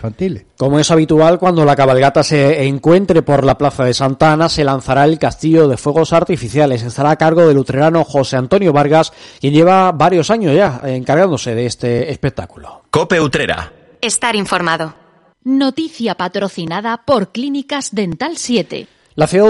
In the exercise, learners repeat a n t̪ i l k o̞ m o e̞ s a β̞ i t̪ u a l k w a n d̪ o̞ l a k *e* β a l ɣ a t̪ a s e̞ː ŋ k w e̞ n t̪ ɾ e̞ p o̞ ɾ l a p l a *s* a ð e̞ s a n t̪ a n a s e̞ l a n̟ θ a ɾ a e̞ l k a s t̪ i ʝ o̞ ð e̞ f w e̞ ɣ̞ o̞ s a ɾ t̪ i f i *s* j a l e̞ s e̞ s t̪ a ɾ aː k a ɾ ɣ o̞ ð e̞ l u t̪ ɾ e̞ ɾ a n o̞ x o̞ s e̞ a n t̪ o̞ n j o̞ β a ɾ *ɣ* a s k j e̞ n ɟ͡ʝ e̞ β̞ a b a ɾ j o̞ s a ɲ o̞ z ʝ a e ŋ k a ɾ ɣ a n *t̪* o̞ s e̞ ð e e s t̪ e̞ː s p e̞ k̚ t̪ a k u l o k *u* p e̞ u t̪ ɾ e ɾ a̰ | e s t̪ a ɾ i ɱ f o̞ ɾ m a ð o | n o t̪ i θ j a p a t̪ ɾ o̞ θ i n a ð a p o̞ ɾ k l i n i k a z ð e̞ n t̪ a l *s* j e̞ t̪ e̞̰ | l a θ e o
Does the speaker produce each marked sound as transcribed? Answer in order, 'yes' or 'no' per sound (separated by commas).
no, no, no, yes, no, no, yes